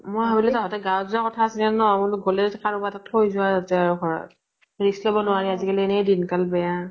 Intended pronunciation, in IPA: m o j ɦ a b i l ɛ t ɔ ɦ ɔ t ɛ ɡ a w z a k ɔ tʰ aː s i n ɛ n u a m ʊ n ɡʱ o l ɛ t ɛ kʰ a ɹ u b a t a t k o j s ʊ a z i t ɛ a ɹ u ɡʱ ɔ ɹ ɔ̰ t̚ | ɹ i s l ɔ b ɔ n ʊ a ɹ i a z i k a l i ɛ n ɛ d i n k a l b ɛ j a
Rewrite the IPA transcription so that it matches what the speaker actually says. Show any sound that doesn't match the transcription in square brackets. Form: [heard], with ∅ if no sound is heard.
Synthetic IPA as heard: m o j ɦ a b i l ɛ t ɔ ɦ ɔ t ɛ ɡ a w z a k ɔ tʰ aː s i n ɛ n [ɔ] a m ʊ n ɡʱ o l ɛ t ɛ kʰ a ɹ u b a t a t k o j [z] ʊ a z [a] t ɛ a ɹ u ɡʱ ɔ ɹ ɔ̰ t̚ | ɹ i s l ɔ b ɔ n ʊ a ɹ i a z i k a l i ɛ n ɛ d i n k a l b ɛ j a